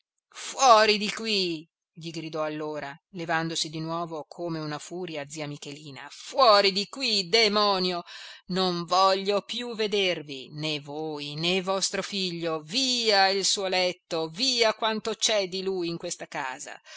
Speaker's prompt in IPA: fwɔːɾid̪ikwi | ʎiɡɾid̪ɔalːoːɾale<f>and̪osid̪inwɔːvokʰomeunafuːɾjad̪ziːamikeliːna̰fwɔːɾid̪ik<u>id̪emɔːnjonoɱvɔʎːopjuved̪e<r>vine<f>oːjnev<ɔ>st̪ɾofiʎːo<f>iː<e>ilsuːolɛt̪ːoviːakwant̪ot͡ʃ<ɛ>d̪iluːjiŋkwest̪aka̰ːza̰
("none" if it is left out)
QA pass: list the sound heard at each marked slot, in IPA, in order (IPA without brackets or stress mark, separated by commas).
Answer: v, w, r, v, ɔ, v, a, ɛ